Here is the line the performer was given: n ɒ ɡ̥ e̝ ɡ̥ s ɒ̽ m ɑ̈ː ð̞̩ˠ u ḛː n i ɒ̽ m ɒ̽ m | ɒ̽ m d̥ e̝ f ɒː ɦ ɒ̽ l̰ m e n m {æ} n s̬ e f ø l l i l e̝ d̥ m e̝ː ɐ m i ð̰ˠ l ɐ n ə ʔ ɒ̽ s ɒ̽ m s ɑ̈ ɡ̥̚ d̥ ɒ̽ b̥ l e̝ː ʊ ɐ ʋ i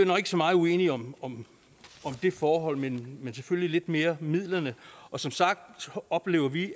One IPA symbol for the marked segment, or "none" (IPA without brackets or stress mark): e